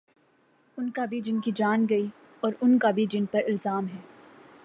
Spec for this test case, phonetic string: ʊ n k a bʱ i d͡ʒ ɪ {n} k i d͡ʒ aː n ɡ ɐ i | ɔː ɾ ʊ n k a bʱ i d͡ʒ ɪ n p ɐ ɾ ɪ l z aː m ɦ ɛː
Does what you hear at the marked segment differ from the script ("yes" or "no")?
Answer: no